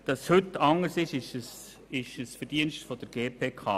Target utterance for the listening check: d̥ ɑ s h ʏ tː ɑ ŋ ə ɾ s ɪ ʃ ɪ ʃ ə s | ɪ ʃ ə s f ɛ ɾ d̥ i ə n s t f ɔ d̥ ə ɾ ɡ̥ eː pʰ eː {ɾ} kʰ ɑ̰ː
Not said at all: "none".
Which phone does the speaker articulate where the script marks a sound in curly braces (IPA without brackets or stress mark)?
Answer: none